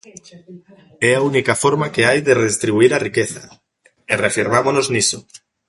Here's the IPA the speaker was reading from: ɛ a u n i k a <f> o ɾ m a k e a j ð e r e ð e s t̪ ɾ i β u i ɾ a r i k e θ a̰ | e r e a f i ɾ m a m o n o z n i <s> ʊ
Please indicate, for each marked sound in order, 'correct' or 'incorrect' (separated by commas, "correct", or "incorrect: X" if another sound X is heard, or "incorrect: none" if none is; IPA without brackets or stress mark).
correct, correct